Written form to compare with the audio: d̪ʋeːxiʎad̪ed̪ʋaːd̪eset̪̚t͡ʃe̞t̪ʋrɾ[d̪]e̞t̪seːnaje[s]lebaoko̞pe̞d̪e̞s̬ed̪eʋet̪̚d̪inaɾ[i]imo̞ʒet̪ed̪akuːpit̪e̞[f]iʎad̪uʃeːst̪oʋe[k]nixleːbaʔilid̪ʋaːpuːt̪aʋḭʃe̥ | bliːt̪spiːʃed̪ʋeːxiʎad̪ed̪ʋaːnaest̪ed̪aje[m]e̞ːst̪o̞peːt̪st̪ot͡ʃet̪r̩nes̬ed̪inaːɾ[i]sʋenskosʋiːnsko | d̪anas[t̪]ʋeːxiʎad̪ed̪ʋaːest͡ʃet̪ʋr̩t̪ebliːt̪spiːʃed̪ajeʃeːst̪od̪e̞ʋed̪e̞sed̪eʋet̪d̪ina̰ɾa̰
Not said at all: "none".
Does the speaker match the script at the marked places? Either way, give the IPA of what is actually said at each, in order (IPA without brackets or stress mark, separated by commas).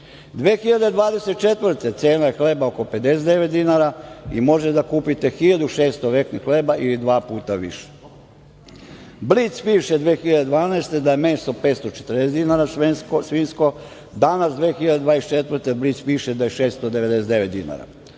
t̪, x, a, x, k, m, a, d̪